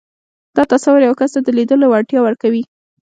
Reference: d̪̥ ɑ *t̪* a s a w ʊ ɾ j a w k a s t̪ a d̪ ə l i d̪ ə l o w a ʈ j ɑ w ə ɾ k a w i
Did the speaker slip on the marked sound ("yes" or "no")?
no